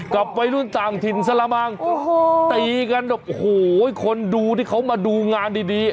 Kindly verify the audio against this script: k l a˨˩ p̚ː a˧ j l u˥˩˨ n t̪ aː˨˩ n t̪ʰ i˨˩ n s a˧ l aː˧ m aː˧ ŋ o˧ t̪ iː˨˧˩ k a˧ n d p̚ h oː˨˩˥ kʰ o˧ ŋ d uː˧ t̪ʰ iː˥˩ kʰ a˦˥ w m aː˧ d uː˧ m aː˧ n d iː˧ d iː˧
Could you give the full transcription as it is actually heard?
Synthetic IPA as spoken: k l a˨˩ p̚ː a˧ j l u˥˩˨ n t̪ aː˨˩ ŋ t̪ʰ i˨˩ n s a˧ l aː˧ m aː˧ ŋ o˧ t̪ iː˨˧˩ k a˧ n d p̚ h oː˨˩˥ kʰ o˧ n d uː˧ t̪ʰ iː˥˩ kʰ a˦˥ w m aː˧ d uː˧ ŋ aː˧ n d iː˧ d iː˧